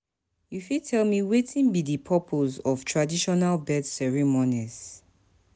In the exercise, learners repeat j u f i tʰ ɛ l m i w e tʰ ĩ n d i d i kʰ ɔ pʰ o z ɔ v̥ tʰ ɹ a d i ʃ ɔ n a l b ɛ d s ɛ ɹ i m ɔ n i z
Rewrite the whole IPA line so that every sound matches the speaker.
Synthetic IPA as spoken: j u f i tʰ ɛ l m i w e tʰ ĩ n b i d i pʰ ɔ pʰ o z ɔ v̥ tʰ ɹ a d i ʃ ɔ n a l b ɛ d s ɛ ɹ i m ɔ n i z